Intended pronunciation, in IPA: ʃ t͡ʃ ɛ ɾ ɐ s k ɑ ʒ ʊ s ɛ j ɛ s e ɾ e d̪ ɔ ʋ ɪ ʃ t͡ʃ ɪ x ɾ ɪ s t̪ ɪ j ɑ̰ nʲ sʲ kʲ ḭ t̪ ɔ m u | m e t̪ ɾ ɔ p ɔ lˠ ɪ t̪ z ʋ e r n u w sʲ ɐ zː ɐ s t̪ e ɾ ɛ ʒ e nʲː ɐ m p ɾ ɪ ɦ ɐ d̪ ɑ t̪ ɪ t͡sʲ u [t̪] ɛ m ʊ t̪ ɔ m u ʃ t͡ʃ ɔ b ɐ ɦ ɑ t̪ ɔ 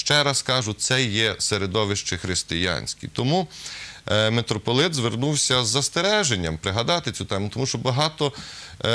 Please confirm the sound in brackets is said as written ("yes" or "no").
yes